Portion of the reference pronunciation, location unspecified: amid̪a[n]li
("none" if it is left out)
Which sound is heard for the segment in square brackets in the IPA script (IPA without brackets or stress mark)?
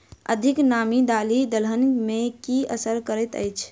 none